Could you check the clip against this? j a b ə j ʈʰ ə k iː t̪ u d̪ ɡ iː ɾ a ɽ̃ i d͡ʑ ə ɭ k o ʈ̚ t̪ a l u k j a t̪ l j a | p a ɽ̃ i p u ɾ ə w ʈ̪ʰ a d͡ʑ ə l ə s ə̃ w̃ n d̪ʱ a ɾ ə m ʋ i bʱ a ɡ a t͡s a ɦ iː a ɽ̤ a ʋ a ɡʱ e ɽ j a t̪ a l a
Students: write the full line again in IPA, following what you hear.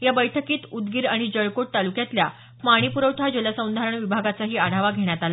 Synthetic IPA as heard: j a b ə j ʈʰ ə k iː t̪ u d̪ ɡ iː ɾ a ɽ̃ i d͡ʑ ə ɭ k o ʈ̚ t̪ a l u k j a t̪ l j a | p a ɽ̃ i p u ɾ ə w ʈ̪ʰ a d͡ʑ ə l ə s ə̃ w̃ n d̪ʱ a ɾ ə ɳ ʋ i bʱ a ɡ a t͡s a ɦ iː a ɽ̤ a ʋ a ɡʱ e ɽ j a t̪ a l a